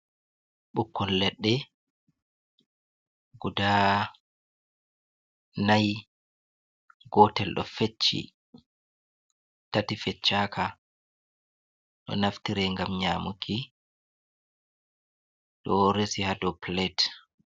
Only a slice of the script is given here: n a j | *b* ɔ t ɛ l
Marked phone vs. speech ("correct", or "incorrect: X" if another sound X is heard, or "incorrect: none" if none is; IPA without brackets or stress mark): incorrect: ɡ